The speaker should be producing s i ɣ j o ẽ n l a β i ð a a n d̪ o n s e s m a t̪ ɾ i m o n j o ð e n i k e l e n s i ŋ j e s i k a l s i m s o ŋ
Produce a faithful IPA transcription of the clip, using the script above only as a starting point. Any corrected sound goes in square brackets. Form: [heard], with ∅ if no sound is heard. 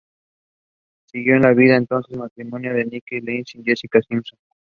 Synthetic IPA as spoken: s i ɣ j o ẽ n l a β i ð a [e] n [t̪] o n s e s m a t̪ ɾ i m o n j o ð e n i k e l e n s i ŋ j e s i k a [∅] s i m s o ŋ